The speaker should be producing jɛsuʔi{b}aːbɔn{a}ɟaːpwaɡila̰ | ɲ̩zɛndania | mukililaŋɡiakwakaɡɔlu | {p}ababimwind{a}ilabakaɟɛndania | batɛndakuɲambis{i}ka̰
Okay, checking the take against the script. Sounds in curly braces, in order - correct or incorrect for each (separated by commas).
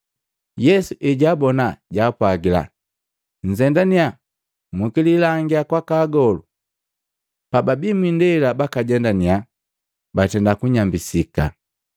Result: incorrect, correct, correct, incorrect, correct